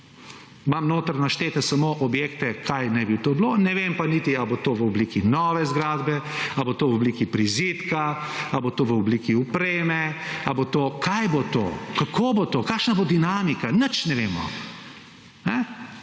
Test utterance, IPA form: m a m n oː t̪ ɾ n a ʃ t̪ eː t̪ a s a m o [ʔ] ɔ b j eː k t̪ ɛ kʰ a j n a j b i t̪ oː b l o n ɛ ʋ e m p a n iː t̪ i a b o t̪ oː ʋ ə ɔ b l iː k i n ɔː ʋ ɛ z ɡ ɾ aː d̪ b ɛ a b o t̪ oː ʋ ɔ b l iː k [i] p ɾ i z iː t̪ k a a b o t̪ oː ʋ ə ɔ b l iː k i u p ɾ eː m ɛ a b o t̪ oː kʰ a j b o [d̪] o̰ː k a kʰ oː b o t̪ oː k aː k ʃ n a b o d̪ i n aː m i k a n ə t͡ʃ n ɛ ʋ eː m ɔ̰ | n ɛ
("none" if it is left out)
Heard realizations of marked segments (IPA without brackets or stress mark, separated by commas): ʔ, i, t̪